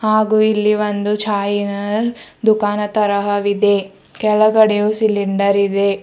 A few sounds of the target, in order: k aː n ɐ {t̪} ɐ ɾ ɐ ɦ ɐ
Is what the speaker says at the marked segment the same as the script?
yes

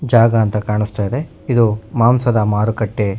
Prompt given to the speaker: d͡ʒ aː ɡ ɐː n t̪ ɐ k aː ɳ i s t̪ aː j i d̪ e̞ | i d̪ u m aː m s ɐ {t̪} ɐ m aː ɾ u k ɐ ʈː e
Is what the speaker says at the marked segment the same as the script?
no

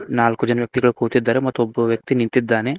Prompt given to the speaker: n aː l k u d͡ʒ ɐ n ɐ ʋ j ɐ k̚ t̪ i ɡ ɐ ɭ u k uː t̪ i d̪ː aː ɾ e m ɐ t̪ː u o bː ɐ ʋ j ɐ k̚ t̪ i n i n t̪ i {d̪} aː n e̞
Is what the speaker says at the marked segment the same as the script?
no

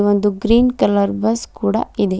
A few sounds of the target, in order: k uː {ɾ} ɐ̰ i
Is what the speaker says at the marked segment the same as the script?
no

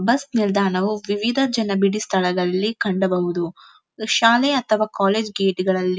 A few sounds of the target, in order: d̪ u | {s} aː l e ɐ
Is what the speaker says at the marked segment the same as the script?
no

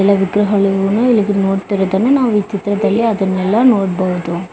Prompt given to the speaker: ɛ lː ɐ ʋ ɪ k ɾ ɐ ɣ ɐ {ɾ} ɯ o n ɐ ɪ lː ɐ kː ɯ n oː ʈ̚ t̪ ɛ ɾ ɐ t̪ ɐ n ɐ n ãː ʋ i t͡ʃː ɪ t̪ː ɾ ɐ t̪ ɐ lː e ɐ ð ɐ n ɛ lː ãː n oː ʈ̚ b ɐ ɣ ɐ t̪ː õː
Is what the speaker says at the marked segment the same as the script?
no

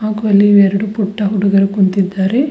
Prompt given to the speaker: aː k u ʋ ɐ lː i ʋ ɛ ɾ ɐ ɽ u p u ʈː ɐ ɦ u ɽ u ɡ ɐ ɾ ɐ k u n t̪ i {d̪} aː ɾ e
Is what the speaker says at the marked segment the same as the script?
no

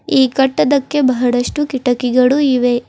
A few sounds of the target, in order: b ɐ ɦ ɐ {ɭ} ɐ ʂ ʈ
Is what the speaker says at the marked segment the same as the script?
no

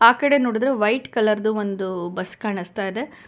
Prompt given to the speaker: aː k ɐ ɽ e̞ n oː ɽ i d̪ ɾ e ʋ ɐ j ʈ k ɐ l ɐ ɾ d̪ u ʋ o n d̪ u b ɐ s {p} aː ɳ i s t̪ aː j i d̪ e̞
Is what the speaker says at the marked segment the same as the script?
no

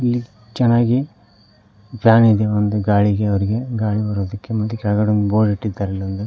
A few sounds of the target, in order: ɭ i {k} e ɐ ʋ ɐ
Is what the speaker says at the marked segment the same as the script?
no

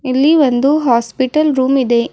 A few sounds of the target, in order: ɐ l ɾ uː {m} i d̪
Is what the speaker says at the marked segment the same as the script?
yes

